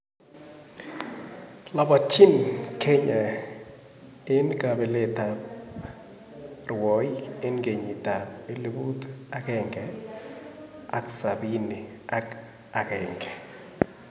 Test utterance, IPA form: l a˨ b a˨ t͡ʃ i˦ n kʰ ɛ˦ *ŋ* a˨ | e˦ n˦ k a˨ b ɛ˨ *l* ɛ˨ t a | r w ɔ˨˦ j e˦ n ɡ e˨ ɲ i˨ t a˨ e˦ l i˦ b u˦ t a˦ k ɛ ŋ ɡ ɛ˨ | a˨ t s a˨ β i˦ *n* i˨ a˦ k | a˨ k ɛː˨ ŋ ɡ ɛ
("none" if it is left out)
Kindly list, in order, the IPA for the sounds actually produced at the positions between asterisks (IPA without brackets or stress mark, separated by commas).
ɲ, l, n